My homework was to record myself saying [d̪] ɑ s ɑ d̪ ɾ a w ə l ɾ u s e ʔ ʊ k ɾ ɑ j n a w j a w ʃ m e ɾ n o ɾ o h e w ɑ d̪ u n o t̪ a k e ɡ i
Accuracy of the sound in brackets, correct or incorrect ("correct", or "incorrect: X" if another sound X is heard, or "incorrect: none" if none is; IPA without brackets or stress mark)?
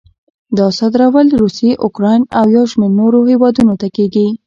correct